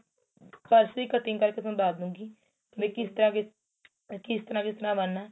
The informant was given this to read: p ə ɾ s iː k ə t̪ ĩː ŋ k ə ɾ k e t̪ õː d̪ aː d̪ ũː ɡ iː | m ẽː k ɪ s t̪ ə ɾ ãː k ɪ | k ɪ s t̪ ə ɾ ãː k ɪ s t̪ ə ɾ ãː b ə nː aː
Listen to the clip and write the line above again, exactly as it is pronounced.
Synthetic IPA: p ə ɾ s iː k ə t̪ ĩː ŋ k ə ɾ k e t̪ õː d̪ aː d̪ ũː ɡ iː | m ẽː k ɪ s t̪ ə ɾ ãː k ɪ | k ɪ s t̪ ə ɾ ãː k ɪ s t̪ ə ɾ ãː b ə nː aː